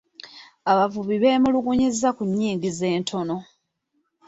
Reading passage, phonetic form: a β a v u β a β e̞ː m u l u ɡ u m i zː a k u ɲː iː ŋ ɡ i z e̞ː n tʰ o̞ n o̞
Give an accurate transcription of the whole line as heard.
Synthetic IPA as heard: a β a v u β i β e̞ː m u l u ɡ u ɲ i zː a k u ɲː iː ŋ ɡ i z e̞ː n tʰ o̞ n o̞